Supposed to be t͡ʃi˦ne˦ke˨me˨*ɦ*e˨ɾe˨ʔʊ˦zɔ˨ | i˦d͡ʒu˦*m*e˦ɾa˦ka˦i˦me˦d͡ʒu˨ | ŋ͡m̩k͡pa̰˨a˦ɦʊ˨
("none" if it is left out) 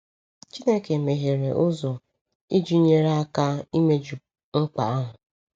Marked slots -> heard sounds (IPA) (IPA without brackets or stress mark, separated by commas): ɦ, ɲ